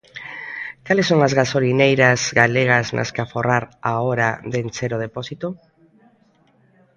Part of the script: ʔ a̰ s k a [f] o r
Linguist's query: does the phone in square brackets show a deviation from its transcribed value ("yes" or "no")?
no